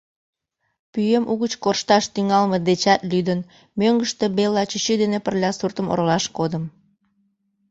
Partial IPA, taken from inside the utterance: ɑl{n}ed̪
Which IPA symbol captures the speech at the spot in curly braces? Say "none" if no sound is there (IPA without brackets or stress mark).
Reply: m